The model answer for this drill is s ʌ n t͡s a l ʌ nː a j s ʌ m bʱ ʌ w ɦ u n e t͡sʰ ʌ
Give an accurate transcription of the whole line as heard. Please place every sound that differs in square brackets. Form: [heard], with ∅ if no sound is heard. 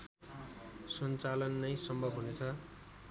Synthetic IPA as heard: s ʌ n t͡s a l ʌ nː [ʌ] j s ʌ m bʱ ʌ [b] ɦ u n e t͡sʰ ʌ